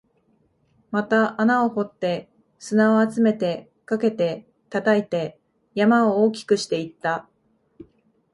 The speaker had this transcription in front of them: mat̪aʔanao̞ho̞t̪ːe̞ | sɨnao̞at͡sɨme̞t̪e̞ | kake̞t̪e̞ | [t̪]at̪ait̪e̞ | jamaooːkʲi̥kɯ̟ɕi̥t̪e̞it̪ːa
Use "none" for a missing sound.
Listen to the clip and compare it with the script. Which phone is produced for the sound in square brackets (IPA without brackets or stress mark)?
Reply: t̪